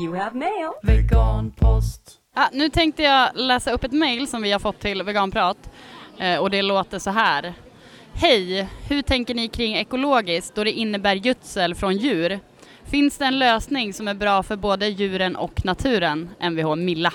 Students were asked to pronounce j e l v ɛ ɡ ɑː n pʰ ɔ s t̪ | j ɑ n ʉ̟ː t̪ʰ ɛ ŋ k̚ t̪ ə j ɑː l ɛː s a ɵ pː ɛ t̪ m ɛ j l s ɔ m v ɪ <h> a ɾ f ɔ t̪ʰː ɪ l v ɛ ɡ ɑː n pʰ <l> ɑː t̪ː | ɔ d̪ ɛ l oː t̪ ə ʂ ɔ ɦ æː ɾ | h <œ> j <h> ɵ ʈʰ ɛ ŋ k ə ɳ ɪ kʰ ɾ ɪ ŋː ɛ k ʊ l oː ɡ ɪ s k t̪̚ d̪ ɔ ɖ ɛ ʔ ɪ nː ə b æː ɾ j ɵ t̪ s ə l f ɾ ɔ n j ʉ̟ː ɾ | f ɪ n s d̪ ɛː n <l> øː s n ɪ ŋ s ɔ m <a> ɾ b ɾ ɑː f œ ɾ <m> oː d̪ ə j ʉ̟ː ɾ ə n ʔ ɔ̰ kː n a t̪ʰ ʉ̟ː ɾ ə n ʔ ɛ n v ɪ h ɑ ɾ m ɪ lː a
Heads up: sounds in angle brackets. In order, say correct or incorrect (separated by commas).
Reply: correct, incorrect, incorrect, correct, correct, incorrect, incorrect